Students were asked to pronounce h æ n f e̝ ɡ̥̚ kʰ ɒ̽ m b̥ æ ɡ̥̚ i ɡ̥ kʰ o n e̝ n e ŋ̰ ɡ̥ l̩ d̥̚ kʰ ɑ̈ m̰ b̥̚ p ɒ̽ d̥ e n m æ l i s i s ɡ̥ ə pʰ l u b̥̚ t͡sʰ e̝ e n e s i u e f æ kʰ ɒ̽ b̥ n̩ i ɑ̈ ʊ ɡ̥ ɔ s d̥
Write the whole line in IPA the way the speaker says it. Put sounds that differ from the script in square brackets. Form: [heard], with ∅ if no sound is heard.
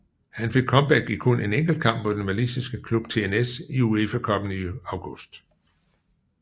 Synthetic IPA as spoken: h æ n f e̝ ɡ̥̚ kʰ ɒ̽ m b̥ æ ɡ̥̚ i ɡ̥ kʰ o n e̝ n e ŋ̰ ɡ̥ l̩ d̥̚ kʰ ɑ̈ m̰ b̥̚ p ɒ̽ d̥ e n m æ l i s i s ɡ̥ ə [kʰ] l u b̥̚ t͡sʰ e̝ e n e s i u e f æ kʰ ɒ̽ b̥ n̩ i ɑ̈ ʊ ɡ̥ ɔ s d̥